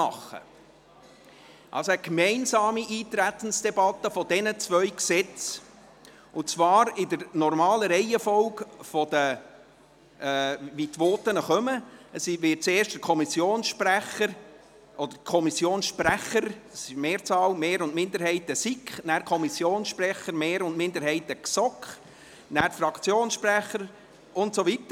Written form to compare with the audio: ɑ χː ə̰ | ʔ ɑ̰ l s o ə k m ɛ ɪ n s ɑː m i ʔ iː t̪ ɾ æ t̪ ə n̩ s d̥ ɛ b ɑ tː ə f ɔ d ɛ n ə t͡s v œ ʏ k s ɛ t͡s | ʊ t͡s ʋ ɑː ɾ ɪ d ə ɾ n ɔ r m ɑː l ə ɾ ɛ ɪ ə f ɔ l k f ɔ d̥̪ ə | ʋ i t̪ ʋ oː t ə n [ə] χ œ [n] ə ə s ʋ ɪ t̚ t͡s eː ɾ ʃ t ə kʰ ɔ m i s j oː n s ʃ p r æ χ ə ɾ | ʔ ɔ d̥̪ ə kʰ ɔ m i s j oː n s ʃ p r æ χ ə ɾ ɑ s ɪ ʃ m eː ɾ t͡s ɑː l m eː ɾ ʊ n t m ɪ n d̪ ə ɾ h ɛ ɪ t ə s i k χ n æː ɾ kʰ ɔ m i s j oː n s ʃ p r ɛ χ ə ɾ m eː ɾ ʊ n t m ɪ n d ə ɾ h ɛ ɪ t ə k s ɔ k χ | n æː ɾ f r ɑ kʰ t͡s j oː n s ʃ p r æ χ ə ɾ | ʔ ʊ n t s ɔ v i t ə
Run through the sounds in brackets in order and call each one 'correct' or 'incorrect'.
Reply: correct, incorrect: m

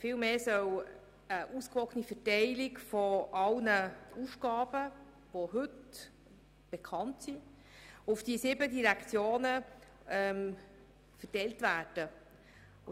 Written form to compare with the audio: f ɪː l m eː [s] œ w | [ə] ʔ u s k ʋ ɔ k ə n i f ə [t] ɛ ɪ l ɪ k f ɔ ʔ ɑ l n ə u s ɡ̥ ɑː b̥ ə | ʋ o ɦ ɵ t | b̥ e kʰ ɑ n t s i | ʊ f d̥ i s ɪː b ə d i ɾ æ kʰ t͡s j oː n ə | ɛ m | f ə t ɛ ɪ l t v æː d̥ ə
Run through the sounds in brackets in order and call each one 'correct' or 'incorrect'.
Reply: correct, correct, correct

